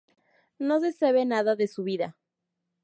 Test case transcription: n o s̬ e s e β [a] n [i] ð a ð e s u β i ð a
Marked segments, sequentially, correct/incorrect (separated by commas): incorrect, incorrect